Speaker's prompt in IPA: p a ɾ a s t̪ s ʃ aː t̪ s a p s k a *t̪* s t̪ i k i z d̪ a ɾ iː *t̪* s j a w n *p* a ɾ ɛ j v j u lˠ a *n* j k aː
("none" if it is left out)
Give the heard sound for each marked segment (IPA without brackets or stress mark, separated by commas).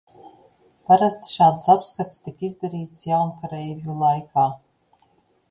t̪, t̪, k, none